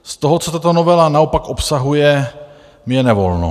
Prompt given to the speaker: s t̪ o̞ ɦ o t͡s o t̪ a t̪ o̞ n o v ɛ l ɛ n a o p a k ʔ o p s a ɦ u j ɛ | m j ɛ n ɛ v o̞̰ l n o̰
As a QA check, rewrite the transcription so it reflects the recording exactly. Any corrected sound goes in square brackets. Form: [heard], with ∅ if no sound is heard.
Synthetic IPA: s t̪ o̞ ɦ o t͡s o t̪ a t̪ o̞ n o v ɛ l [a] n a o p a k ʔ o p s a ɦ u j ɛ | m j ɛ n ɛ v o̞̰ l n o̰